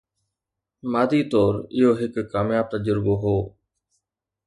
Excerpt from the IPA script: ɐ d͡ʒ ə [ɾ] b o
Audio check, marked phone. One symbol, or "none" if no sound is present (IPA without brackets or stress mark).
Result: ɾ